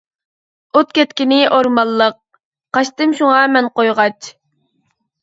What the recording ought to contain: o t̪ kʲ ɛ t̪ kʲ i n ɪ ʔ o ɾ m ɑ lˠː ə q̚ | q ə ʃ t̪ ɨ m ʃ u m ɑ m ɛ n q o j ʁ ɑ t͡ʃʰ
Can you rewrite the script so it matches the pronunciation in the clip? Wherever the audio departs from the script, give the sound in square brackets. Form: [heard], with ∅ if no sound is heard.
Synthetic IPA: o t̪ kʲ ɛ t̪ kʲ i n ɪ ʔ o ɾ m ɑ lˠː ə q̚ | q [ɑ] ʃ t̪ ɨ m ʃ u [ŋ] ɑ m ɛ n q o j ʁ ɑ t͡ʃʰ